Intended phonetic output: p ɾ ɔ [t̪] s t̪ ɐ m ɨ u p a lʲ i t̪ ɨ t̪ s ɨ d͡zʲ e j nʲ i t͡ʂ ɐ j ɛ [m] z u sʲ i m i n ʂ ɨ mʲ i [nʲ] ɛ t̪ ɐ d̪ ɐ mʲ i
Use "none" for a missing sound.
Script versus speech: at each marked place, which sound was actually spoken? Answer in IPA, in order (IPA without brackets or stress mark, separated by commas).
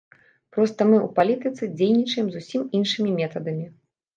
none, m, mʲ